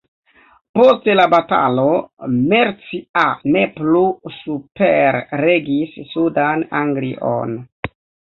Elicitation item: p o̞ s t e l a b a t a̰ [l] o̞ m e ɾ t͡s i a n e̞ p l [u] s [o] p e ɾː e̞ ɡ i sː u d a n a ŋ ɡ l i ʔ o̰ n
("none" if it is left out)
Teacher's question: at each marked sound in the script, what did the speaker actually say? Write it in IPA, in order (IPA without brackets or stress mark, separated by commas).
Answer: l, u, u